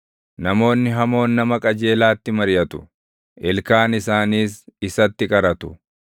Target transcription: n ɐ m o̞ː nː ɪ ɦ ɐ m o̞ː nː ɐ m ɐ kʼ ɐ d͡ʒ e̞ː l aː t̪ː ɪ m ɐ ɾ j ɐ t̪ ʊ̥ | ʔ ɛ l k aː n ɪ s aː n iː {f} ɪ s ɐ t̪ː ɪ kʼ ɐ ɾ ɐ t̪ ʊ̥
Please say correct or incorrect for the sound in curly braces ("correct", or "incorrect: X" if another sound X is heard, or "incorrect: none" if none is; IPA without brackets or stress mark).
incorrect: s